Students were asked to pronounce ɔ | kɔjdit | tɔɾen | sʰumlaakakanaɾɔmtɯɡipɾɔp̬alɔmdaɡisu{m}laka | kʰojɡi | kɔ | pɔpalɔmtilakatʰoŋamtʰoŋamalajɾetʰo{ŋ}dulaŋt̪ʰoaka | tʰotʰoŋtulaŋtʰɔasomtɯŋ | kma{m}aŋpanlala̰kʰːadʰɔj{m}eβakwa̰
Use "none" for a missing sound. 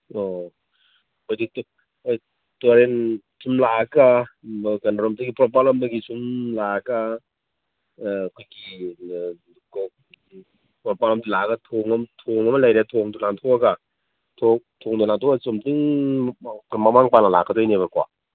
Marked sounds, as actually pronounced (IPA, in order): m, ŋ, m, n

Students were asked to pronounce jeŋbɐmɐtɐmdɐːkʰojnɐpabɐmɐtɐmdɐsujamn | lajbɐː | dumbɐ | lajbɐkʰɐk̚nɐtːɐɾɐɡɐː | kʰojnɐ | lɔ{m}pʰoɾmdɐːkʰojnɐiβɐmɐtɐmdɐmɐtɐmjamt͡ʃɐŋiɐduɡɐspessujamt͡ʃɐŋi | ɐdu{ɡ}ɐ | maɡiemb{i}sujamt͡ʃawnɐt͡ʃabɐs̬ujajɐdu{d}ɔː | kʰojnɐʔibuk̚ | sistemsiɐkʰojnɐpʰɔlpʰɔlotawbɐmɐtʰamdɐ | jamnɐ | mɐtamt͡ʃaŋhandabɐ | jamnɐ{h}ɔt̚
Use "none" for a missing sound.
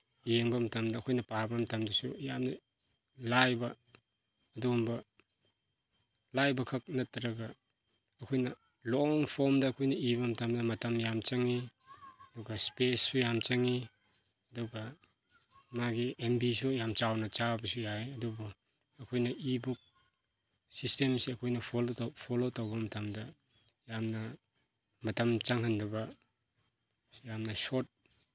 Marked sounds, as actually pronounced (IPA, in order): ŋ, ɡ, i, b, s

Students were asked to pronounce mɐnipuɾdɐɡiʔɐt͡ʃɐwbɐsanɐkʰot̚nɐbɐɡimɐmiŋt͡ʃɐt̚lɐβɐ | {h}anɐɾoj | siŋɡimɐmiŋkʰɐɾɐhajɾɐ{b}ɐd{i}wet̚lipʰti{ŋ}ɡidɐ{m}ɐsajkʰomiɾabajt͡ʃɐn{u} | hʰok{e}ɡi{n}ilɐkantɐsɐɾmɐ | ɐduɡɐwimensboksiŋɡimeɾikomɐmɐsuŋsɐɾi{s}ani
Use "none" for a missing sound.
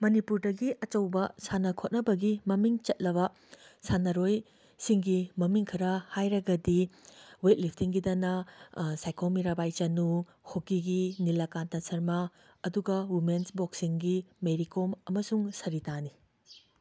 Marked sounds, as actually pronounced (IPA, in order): s, ɡ, i, ŋ, n, u, i, n, t

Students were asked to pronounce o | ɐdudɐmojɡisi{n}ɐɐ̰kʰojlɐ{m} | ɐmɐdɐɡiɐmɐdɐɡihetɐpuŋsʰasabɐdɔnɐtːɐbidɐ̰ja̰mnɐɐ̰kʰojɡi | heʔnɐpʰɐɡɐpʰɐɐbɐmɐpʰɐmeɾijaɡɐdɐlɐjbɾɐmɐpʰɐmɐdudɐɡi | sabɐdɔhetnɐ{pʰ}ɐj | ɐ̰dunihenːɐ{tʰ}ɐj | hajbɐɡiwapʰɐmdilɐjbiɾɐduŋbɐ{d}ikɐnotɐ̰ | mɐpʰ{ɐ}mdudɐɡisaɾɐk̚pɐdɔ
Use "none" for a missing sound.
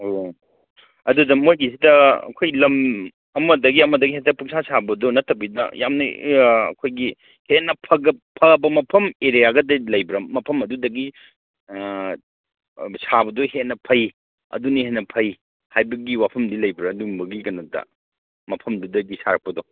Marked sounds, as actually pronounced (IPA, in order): d, m, pʰ, pʰ, ɡ, ɐ

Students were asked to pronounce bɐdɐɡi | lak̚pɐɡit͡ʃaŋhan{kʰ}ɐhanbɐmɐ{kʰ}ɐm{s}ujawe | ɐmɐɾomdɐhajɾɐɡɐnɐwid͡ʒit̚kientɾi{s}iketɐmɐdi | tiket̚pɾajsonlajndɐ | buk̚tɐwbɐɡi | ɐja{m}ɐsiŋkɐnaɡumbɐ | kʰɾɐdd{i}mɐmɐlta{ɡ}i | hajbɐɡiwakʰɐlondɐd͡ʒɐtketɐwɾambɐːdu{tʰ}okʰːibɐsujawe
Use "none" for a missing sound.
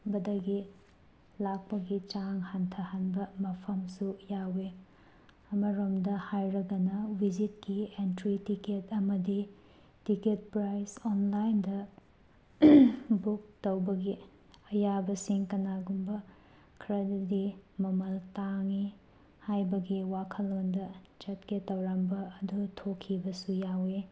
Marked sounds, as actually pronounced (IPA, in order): tʰ, pʰ, s, t, b, i, ŋ, tʰ

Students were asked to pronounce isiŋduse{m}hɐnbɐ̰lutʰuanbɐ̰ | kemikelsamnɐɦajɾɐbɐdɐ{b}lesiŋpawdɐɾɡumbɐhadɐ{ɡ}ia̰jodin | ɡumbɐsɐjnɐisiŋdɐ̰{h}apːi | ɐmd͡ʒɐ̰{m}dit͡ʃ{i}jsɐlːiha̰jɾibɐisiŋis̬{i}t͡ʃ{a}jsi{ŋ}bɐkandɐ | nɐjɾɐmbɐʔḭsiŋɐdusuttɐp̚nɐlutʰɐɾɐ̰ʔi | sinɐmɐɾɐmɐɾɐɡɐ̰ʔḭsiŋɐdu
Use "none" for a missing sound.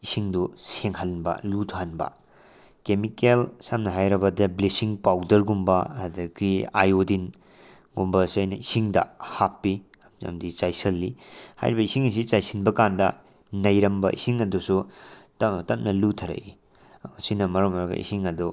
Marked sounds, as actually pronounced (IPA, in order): ŋ, b, k, h, m, a, i, a, n

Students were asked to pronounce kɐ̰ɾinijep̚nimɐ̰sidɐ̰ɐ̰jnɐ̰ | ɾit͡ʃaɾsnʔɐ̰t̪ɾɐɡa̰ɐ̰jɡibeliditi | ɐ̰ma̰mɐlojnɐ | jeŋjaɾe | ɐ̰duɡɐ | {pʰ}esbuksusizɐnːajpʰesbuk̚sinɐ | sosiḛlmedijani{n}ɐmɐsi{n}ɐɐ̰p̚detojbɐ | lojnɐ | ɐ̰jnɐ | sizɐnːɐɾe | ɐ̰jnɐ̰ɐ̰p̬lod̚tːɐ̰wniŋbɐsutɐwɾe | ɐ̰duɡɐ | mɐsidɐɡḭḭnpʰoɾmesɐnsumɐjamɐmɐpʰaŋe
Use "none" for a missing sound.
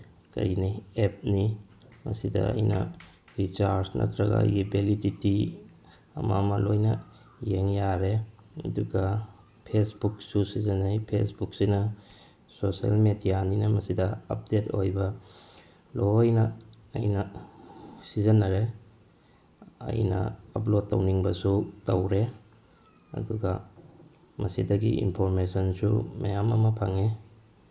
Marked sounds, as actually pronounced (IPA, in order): pʰ, n, d

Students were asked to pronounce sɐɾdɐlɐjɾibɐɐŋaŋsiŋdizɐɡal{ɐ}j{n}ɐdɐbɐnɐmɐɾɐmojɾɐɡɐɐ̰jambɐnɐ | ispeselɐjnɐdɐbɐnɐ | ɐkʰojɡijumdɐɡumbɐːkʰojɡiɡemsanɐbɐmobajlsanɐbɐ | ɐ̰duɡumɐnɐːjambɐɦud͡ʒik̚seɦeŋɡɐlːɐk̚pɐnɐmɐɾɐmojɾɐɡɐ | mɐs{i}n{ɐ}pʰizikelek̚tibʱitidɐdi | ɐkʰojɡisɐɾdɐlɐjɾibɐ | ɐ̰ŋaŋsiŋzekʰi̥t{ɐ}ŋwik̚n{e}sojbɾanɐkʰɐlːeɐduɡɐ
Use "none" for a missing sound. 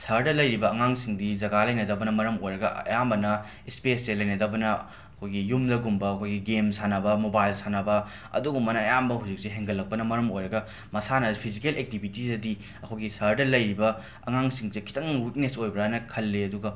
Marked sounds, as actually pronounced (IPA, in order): ɐ, n, a, ɐ, ɐ, e

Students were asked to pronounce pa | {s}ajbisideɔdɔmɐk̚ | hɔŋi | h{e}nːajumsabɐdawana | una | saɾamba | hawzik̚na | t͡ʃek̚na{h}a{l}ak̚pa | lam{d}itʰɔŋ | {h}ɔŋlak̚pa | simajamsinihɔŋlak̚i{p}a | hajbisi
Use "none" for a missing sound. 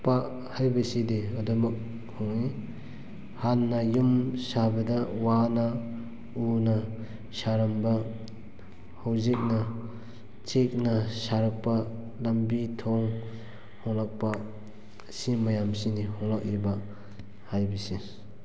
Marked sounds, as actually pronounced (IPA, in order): h, a, s, ɾ, b, h, b

